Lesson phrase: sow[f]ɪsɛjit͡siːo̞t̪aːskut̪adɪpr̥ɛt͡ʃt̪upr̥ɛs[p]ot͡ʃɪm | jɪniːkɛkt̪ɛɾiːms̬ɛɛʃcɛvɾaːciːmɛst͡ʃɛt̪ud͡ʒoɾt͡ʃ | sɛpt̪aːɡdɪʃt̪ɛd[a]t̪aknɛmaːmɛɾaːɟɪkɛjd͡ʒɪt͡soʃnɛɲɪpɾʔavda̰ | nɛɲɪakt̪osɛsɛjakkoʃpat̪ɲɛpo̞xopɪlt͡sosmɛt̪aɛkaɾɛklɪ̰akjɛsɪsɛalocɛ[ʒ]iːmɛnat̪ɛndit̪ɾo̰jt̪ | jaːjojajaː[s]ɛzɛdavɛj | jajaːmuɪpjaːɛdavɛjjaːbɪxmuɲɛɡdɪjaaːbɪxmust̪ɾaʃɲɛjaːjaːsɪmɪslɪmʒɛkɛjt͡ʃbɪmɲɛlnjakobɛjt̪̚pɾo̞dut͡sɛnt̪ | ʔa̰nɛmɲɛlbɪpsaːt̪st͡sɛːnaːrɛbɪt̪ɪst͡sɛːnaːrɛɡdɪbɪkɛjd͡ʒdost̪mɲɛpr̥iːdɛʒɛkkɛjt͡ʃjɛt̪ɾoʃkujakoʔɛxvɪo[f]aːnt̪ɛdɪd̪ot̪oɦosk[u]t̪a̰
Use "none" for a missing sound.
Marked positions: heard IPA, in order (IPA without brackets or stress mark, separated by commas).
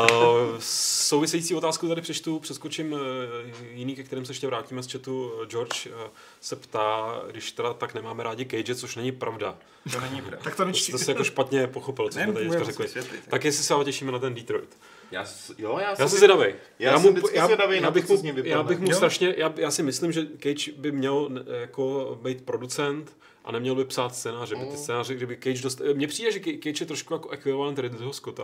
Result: v, k, a, ʃ, s, v, o